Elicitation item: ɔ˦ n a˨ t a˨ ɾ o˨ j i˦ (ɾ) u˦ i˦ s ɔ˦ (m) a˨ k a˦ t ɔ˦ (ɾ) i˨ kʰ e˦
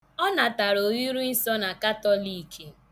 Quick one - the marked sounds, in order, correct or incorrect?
correct, incorrect: n, incorrect: l

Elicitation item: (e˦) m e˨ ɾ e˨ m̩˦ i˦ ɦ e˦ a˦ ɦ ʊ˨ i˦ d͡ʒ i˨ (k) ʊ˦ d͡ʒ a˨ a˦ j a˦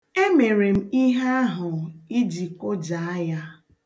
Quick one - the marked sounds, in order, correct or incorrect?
correct, correct

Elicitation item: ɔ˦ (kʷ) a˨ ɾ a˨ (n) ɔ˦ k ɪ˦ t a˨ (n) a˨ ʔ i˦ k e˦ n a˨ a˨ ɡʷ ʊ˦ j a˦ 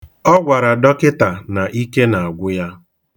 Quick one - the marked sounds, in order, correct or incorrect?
incorrect: ɡʷ, incorrect: d, correct

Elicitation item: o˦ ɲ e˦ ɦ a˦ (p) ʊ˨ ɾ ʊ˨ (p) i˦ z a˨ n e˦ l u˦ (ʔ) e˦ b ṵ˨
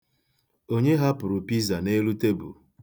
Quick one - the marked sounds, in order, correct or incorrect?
correct, correct, incorrect: t

